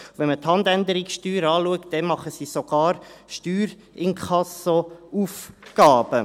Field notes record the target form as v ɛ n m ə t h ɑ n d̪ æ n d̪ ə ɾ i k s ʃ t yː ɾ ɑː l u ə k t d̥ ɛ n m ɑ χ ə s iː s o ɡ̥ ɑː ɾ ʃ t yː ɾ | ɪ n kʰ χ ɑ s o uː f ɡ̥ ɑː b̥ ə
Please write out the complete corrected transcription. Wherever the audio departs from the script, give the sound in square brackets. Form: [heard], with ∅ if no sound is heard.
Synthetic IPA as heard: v ɛ n m ə t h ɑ n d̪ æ n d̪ ə ɾ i k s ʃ t yː ɾ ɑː l u ə k t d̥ ɛ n m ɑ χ ə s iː s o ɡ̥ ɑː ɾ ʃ t yː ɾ | ɪ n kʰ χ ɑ s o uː f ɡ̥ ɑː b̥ ə